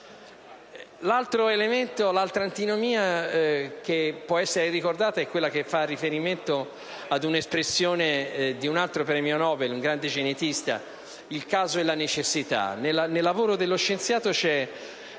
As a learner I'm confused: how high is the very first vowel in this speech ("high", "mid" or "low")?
low